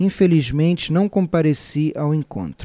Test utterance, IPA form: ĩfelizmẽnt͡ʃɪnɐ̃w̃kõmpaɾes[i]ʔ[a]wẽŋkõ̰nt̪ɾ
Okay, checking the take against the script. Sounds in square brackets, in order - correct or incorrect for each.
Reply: correct, correct

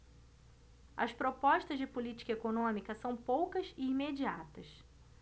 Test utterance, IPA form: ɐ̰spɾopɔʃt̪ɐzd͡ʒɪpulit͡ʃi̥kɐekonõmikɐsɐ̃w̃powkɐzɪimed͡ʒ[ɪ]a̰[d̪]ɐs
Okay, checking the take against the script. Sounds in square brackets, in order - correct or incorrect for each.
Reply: incorrect, incorrect

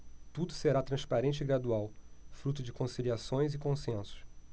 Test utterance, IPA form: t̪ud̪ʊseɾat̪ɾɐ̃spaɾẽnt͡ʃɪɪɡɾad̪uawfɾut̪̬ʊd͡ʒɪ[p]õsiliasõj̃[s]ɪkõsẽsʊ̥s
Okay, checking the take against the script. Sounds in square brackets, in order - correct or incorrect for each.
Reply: incorrect, incorrect

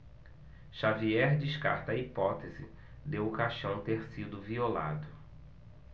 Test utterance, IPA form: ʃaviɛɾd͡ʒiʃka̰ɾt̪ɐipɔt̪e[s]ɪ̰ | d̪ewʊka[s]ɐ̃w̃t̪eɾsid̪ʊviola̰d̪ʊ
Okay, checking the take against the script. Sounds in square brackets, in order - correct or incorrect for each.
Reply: incorrect, incorrect

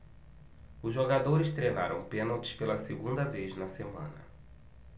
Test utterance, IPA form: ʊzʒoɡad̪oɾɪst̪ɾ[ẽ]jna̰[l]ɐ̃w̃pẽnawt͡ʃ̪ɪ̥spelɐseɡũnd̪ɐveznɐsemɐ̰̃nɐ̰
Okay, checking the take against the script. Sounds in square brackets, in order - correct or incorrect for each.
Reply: incorrect, incorrect

